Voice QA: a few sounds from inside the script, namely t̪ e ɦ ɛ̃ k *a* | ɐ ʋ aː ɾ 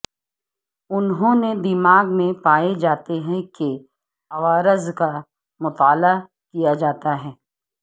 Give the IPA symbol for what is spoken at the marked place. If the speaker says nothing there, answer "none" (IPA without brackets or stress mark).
e